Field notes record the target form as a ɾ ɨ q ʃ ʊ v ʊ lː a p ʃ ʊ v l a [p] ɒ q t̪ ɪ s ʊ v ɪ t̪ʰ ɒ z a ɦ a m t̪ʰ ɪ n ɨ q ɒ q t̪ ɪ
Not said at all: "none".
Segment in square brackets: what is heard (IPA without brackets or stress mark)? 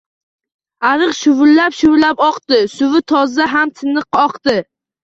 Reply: p